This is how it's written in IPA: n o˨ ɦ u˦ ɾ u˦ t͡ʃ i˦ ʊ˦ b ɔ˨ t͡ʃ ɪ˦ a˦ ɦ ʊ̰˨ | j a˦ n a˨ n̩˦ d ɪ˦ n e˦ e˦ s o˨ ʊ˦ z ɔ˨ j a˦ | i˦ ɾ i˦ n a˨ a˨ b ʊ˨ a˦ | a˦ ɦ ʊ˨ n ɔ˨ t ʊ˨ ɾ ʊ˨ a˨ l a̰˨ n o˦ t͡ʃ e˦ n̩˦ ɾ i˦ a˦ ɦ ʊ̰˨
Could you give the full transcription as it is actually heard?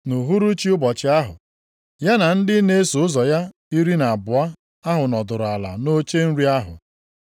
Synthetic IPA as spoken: n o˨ ɦ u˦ ɾ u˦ t͡ʃ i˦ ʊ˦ b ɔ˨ t͡ʃ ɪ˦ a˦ ɦ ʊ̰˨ | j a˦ n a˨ n̩˦ d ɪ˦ n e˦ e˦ s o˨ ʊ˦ z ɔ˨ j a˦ | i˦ ɾ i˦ n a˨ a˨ b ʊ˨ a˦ | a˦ ɦ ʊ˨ n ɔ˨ d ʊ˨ ɾ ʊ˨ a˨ l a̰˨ n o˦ t͡ʃ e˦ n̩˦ ɾ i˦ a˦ ɦ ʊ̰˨